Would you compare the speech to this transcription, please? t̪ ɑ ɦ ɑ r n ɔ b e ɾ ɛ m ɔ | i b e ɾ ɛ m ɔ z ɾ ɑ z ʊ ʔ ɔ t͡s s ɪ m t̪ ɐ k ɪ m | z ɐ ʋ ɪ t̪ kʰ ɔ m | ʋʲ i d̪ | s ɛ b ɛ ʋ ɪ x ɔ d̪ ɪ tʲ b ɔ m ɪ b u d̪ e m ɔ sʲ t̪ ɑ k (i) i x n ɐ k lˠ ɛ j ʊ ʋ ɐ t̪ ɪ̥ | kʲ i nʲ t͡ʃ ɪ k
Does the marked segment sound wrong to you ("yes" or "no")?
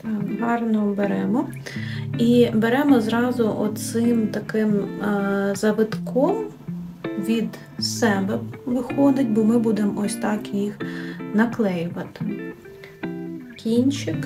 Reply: yes